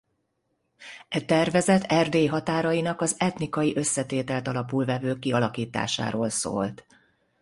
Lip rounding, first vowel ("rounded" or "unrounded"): unrounded